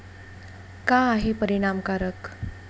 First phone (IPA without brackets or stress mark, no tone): k